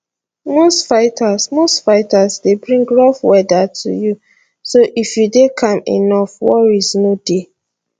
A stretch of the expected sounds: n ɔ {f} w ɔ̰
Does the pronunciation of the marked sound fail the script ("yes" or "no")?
no